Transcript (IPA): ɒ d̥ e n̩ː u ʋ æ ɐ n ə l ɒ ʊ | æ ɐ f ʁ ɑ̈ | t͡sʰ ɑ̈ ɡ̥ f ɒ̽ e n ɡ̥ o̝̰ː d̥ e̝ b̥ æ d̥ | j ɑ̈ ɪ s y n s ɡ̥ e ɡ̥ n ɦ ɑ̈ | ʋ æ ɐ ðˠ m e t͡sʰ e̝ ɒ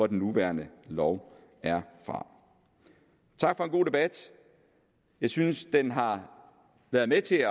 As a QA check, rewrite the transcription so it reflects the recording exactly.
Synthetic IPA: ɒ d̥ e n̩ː u ʋ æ ɐ n ə l ɒ ʊ | æ ɐ f ʁ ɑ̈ | t͡sʰ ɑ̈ ɡ̥ f ɒ̽ e n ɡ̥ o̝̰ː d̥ e̝ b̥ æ d̥ | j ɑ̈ ɪ s y n s d̥ e n ɦ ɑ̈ | ʋ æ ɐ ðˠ m e t͡sʰ e̝ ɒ